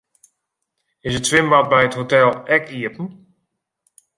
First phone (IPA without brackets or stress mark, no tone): ɪ